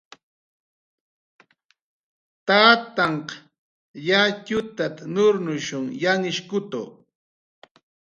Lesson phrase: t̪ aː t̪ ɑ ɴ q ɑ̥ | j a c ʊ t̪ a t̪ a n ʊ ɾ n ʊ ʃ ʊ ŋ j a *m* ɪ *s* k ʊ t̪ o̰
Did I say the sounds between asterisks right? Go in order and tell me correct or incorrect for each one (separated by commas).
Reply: incorrect, incorrect